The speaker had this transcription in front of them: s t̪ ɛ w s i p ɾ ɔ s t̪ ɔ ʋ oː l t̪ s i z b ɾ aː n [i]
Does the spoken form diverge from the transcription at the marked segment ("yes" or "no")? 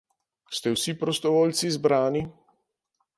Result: no